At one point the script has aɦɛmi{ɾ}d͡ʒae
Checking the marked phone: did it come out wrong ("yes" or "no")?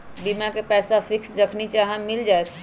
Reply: yes